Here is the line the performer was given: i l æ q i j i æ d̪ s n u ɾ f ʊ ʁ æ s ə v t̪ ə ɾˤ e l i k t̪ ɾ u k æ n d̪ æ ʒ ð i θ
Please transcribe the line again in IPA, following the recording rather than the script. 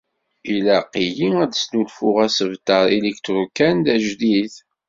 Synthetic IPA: i l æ q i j i æ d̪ s n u l f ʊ ʁ æ s ə v t̪ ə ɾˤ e l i k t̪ ɾ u k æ n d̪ æ ʒ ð i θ